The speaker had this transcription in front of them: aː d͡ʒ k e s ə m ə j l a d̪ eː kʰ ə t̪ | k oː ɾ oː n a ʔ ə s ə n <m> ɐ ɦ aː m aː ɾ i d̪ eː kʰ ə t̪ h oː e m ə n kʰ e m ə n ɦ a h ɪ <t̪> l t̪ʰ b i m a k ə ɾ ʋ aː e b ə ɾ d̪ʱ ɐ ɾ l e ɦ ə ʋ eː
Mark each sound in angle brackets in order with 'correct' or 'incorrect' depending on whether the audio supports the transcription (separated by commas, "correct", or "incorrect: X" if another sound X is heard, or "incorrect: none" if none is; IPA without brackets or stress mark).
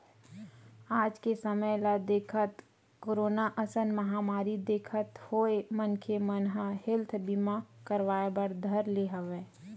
correct, incorrect: none